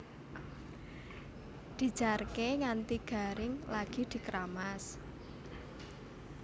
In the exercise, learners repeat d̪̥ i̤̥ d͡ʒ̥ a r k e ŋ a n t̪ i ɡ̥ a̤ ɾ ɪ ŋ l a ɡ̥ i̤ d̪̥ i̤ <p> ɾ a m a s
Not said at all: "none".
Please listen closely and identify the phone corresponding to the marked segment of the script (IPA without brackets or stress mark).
k